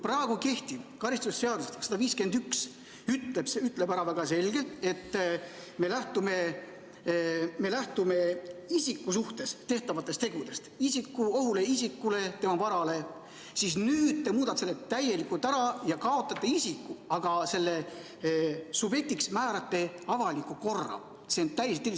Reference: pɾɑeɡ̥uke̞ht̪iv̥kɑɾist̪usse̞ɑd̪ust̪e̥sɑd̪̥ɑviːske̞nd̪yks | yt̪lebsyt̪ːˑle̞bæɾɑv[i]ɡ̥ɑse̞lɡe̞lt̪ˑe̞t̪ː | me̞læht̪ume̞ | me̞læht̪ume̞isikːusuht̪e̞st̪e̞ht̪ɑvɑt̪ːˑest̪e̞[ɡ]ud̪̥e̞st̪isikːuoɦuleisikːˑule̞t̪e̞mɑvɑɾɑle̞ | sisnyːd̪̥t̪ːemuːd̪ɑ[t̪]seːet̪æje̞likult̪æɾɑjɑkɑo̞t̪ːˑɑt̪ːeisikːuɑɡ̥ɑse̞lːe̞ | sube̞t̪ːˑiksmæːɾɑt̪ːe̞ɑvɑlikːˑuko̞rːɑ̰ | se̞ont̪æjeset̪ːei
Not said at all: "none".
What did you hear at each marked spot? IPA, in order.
æ, ɡ, t̪

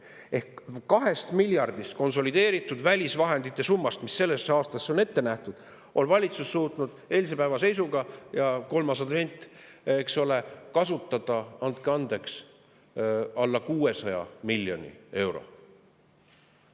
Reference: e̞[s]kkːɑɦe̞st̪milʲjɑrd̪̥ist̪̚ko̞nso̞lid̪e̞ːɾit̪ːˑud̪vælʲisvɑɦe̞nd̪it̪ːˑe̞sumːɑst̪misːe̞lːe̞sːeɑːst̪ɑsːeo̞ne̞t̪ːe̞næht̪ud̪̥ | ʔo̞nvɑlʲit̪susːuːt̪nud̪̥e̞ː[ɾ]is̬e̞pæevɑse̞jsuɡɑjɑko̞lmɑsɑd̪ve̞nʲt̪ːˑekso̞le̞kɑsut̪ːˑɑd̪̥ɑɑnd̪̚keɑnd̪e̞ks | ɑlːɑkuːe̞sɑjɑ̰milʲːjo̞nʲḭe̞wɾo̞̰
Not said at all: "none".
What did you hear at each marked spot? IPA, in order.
h, l

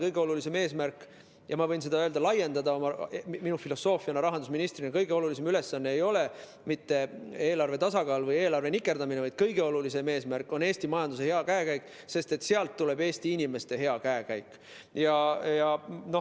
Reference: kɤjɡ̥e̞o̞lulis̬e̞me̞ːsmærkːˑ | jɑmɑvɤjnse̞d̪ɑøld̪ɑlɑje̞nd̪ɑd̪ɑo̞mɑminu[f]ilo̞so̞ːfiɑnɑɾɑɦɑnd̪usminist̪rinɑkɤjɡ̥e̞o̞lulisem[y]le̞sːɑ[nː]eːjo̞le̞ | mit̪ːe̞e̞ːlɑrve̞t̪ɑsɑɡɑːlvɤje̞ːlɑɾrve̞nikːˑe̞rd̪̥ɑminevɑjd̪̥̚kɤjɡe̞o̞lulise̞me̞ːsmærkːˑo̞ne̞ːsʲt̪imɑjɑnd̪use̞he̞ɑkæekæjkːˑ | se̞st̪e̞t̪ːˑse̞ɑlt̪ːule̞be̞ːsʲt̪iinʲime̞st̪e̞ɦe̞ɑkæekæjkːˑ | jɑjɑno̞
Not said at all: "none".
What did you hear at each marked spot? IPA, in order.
f, y, nː

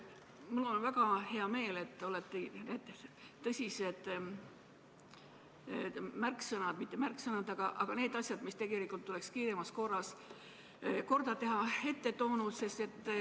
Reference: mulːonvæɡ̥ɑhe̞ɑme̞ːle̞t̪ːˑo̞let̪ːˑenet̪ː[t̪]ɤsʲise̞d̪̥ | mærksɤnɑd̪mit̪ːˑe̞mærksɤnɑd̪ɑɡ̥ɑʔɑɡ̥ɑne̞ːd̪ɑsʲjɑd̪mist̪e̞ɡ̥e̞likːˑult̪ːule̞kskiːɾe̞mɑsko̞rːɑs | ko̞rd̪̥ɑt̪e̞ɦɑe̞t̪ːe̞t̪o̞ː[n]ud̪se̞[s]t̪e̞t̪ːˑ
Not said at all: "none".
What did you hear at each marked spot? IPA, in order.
t̪, n, s

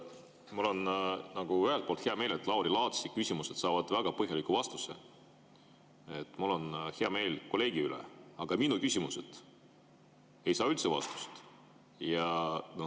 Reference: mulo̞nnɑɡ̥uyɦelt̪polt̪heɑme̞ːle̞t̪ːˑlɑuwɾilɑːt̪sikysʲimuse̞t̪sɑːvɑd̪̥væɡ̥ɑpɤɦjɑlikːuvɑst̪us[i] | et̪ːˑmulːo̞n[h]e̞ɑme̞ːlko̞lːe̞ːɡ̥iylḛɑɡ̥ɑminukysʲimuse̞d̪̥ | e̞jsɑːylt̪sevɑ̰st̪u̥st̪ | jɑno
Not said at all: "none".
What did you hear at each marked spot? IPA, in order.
e, h

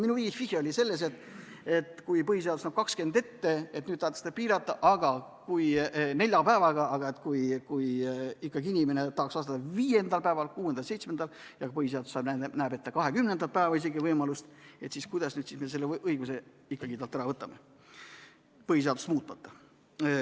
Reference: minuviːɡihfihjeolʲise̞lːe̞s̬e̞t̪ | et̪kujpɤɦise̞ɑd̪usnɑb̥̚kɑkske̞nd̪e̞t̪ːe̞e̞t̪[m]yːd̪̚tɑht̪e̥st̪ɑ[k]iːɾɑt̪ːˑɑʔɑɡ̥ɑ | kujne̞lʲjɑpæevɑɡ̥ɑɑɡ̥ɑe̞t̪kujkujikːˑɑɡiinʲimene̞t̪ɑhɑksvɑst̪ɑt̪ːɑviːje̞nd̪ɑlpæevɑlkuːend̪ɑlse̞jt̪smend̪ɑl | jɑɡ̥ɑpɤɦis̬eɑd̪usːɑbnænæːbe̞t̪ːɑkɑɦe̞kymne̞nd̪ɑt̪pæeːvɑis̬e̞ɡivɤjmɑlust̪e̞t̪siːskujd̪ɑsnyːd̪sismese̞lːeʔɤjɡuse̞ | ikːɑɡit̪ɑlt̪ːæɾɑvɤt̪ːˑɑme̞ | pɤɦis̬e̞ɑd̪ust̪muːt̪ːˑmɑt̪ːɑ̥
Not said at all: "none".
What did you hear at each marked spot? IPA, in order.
n, p

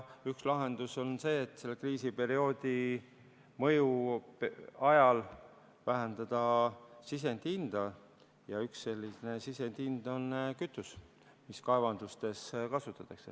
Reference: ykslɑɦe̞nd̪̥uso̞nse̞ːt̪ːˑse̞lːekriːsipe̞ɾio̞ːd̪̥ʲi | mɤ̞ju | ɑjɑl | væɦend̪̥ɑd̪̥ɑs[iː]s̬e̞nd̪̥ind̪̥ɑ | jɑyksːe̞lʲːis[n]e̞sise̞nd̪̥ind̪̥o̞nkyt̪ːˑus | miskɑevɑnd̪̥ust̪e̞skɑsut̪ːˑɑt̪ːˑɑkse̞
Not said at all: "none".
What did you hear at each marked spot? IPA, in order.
i, n

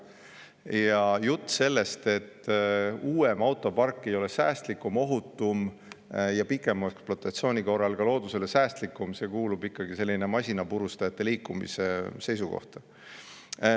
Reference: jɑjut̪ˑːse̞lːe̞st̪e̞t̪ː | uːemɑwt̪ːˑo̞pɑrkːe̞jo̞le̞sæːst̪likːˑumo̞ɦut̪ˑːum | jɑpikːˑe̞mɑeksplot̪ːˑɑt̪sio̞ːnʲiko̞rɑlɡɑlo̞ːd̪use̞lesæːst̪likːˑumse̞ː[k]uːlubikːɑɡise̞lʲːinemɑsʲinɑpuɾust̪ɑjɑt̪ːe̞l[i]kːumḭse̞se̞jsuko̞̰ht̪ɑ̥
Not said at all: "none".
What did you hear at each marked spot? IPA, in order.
k, iː

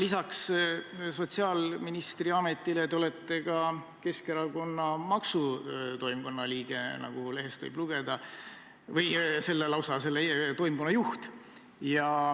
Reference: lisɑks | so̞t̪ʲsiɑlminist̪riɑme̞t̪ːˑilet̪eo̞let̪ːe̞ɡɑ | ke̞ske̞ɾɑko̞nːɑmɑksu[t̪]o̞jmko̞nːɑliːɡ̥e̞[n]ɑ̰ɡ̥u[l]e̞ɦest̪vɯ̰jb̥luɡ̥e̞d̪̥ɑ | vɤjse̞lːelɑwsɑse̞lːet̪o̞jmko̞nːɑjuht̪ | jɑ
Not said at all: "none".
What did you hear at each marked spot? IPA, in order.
t̪, n, l

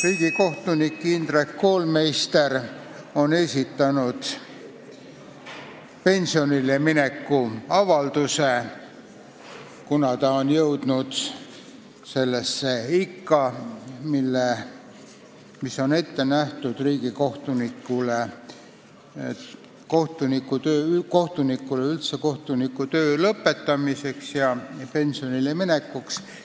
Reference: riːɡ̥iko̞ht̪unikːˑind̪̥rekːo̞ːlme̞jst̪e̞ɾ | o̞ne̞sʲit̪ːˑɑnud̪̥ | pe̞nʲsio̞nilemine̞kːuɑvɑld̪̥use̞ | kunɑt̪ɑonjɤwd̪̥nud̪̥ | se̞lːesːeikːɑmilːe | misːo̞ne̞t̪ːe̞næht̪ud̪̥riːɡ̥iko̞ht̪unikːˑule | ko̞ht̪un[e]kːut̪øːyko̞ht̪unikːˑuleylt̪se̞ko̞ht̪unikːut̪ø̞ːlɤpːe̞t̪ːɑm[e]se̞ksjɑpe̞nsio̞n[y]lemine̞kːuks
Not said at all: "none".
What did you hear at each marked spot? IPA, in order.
i, i, i

